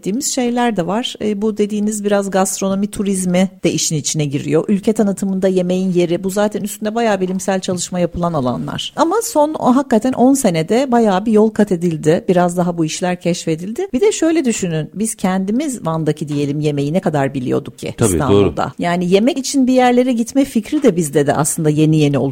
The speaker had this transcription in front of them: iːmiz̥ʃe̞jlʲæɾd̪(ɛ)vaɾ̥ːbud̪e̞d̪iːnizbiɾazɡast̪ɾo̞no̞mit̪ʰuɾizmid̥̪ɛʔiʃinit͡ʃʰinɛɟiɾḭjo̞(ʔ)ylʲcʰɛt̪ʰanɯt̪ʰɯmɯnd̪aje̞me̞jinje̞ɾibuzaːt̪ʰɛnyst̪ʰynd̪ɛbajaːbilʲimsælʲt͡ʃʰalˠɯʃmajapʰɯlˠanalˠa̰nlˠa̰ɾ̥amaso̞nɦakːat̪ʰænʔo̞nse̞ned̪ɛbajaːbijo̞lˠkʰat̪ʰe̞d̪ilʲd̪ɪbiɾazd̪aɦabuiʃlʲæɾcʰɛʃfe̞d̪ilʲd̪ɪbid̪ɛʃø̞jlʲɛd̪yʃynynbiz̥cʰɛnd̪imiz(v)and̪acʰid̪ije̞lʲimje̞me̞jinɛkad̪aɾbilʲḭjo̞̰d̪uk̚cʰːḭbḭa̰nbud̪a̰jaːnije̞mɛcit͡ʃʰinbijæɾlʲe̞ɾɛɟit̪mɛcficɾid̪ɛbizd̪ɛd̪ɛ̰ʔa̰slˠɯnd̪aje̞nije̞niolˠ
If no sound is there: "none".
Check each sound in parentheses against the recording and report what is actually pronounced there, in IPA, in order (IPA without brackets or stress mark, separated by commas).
ɛ, ʔ, v